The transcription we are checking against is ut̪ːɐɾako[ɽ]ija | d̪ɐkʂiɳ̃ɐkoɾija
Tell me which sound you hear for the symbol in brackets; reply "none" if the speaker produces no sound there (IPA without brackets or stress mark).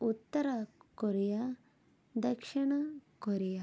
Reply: ɾ